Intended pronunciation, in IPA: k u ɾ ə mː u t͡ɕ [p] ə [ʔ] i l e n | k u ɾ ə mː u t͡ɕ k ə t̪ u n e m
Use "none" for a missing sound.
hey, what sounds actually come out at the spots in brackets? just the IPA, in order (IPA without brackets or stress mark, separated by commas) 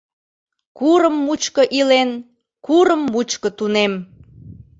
k, ʔ